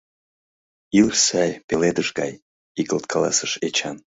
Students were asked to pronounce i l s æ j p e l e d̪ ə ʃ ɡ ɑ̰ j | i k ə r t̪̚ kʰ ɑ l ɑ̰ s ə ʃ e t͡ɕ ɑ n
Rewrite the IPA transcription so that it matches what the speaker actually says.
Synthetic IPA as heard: i l s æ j p e l e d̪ ə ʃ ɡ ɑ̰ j | i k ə l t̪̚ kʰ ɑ l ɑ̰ s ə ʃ e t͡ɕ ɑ n